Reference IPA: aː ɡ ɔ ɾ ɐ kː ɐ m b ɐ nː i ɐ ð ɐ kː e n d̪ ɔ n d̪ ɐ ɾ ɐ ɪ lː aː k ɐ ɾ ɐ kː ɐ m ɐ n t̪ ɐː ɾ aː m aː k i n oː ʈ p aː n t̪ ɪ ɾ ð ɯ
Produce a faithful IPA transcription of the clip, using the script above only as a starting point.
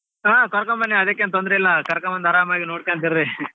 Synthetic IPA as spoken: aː k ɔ ɾ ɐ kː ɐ m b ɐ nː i ɐ ð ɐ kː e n t̪ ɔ n d̪ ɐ ɾ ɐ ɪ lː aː k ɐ ɾ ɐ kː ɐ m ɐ n d̪ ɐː ɾ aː m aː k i n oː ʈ k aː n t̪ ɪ ɾ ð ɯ

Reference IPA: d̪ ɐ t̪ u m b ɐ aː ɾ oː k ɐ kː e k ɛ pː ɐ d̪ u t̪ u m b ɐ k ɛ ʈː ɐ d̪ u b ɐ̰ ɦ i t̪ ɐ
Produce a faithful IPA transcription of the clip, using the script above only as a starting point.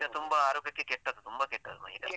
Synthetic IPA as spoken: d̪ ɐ t̪ u m b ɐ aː ɾ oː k ɐ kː e k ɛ ʈː ɐ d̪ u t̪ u m b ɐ k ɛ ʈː ɐ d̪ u m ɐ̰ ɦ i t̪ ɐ

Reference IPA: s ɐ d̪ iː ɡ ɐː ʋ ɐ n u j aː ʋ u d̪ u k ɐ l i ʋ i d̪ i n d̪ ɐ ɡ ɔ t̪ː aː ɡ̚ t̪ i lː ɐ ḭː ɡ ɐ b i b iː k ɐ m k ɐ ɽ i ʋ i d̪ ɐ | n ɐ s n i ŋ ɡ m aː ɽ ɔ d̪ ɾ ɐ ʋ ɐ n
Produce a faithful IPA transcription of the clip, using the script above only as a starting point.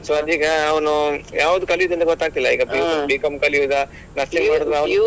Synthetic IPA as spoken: s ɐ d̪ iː ɡ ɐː ʋ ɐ n u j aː ʋ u d̪ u k ɐ l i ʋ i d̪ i n d̪ ɐ ɡ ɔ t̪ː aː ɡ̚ t̪ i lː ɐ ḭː ɡ ɐ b i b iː k ɐ m k ɐ l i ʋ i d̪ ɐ | n ɐ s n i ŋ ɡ m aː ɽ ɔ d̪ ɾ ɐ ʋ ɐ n

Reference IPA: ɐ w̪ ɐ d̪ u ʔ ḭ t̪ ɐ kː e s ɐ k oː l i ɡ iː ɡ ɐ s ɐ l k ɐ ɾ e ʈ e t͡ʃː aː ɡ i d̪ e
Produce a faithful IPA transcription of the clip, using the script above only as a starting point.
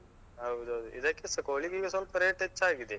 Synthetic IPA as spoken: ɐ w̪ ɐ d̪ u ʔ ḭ d̪ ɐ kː e s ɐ k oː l i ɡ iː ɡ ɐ s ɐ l p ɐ ɾ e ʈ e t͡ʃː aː ɡ i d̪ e

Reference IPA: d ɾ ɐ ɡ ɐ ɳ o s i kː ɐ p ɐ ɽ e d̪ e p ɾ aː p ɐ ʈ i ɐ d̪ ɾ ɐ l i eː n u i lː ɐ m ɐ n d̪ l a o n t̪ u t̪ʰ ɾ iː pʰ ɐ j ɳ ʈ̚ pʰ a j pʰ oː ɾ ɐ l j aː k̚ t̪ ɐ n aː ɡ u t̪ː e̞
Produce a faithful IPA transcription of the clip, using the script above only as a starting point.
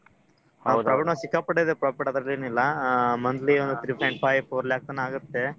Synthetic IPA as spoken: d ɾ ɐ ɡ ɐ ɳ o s i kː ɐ p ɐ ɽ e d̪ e p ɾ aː p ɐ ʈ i ɐ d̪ ɾ ɐ l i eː n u i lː ɐ m ɐ n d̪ l i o n d̪ u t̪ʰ ɾ iː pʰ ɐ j ɳ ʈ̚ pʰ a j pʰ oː ɾ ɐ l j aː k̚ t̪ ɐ n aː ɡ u t̪ː e̞

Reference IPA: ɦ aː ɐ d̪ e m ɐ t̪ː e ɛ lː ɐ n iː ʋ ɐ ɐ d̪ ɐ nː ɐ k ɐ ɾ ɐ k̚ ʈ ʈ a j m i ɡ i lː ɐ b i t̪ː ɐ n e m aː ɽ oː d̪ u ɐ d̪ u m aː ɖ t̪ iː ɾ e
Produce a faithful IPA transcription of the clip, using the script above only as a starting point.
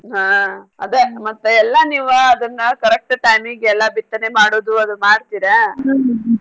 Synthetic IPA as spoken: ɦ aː ɐ d̪ e m ɐ t̪ː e ɛ lː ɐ n iː ʋ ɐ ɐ d̪ ɐ nː ɐ k ɐ ɾ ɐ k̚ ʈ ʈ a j m i ɡ ɛ lː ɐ b i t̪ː ɐ n e m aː ɽ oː d̪ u ɐ d̪ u m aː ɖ t̪ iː ɾ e

